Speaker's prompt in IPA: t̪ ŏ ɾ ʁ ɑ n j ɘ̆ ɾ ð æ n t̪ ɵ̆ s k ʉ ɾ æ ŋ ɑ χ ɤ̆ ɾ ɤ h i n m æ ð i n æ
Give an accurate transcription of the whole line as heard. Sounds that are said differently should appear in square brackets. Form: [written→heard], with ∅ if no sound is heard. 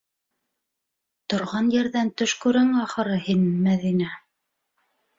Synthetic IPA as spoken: t̪ ŏ ɾ ʁ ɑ n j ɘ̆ ɾ ð æ n t̪ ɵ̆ [s→ʃ] k ʉ ɾ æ ŋ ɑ χ ɤ̆ ɾ ɤ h i n m æ ð i n æ